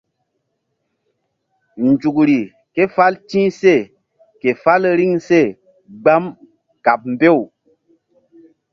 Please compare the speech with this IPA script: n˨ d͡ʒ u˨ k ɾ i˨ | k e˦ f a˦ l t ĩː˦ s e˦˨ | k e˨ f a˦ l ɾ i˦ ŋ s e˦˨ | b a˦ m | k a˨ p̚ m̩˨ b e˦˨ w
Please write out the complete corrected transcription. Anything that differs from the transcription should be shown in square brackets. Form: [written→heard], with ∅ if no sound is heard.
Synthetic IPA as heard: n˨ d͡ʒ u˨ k ɾ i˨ | k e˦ f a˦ l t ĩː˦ s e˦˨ | k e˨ f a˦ l ɾ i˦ ŋ s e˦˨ | [b→ɡ͡b] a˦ m | k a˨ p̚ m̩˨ b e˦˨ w